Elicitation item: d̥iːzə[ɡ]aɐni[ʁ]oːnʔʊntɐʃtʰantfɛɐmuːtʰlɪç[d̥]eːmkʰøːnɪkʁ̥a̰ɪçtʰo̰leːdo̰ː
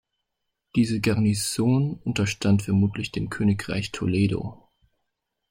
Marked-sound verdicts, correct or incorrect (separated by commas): correct, incorrect, correct